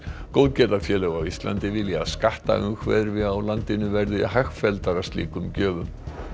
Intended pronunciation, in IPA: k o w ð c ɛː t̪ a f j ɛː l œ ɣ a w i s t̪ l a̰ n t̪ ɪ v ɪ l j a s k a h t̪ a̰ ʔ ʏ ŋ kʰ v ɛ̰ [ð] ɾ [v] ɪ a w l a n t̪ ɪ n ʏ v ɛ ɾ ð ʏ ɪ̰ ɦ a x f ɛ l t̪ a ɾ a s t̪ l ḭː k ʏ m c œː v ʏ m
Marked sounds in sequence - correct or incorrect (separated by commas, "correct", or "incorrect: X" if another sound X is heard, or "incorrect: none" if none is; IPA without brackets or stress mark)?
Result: correct, correct